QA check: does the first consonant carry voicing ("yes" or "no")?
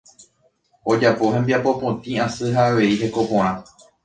yes